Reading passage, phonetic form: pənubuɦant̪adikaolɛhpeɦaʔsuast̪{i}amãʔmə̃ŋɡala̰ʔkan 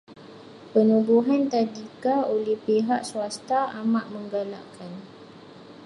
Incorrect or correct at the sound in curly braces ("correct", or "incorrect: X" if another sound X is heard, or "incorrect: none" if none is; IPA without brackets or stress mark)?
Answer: incorrect: a